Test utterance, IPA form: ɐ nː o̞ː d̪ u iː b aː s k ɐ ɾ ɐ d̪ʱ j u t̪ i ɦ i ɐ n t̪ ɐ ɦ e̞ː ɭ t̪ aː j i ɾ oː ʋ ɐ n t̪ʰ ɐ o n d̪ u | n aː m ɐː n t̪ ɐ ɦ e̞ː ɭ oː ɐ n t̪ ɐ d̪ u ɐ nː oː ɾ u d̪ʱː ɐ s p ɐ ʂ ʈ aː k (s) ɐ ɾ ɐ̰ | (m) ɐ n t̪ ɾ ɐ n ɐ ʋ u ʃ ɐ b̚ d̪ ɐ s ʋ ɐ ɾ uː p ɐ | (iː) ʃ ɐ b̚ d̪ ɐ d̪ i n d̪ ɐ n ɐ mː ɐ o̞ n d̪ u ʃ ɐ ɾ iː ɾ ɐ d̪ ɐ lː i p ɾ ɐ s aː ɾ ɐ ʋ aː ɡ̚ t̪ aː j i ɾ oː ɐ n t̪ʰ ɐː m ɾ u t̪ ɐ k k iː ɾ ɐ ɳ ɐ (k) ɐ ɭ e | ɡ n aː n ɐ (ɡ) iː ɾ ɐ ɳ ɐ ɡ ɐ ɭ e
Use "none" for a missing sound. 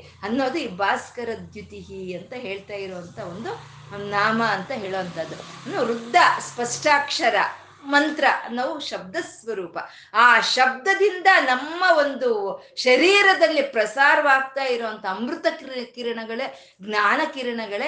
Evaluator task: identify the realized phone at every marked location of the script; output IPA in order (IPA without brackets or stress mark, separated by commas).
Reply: ʂ, m, aː, ɡ, k